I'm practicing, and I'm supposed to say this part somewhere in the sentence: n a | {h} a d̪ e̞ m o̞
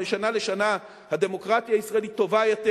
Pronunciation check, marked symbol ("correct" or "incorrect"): correct